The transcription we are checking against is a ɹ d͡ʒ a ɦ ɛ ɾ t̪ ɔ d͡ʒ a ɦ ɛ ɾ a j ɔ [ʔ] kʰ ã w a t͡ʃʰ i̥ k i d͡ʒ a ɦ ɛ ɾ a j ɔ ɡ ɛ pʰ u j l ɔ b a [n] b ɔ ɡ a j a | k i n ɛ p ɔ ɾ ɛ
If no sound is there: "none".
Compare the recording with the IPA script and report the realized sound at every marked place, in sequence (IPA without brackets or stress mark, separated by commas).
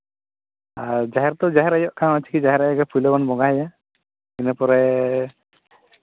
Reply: ʔ, n